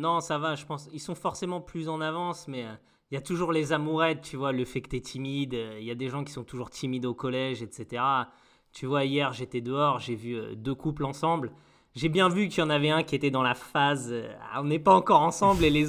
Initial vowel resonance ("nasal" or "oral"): nasal